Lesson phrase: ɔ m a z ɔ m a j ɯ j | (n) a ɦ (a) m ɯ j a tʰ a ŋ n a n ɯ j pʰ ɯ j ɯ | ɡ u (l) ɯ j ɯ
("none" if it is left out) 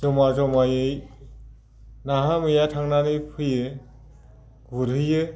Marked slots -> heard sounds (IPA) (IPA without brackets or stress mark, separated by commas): n, a, ɾ